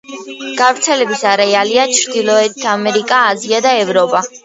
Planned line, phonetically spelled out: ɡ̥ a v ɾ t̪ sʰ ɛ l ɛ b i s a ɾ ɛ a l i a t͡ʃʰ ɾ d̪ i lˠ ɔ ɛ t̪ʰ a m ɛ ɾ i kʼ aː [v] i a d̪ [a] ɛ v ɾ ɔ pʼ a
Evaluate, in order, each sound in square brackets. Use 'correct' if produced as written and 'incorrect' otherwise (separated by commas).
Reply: incorrect, correct